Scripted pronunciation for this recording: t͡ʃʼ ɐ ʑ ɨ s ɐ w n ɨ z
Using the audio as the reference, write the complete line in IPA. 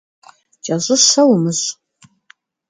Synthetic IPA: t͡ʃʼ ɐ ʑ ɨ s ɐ w m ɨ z